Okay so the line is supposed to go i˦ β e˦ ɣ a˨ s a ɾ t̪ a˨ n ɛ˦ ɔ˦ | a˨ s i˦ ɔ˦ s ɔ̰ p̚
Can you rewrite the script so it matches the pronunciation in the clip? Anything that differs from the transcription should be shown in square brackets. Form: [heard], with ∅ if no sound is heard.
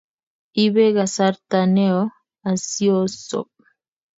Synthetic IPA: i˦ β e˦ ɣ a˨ s a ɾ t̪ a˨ n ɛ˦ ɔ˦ | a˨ s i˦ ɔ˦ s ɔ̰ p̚